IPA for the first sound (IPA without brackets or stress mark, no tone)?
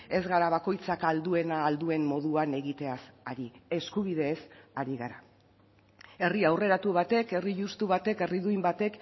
e̞